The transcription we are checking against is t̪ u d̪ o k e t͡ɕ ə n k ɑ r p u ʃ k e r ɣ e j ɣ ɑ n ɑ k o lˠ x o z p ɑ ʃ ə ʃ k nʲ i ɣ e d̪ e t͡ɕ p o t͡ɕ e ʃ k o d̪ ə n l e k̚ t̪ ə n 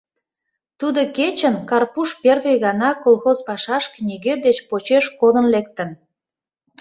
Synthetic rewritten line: t̪ u d̪ o k e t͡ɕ ə n k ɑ r p u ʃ p e r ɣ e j ɣ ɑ n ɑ k o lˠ x o z p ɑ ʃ ɑ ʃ k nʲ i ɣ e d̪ e t͡ɕ p o t͡ɕ e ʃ k o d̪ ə n l e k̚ t̪ ə n